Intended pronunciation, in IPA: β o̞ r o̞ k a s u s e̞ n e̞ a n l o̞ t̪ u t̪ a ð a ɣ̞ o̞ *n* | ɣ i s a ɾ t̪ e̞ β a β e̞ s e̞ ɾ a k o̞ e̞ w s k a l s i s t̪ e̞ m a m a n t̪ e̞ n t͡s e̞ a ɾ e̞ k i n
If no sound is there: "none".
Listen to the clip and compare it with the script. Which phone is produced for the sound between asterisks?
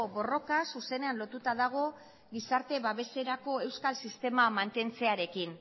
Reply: none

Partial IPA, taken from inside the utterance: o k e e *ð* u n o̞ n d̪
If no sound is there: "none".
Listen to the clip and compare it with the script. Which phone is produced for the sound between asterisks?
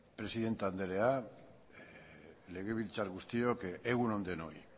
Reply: ɣ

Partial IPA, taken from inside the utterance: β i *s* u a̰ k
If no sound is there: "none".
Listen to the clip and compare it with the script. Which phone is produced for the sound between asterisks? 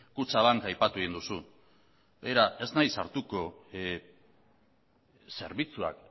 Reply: t͡s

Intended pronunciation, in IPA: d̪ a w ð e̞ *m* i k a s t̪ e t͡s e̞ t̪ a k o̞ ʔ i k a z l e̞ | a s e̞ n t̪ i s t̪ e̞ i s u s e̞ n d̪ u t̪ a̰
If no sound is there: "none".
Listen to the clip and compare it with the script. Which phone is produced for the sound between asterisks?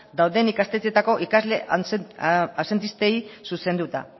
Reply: n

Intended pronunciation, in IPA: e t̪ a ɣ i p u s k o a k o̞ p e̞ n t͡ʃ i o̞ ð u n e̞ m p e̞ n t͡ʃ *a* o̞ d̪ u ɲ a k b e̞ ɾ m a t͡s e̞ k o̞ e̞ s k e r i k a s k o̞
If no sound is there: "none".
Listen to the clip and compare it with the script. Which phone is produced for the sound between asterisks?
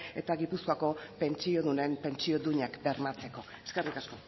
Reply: i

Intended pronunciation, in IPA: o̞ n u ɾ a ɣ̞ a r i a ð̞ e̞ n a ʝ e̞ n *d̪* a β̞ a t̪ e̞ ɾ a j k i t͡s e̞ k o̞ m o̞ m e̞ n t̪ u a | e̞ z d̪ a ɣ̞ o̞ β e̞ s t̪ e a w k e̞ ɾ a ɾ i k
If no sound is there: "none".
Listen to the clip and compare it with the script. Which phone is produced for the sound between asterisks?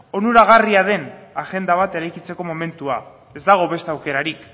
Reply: d̪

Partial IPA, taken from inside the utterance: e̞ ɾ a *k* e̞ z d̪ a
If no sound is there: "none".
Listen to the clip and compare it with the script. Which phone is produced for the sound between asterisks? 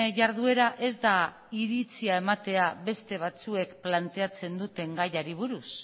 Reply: ʔ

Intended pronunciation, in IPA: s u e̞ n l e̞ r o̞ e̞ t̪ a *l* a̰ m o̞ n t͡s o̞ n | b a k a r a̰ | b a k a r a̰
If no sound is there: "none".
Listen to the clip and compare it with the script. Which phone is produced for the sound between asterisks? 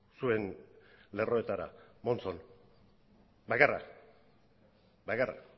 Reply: ɾ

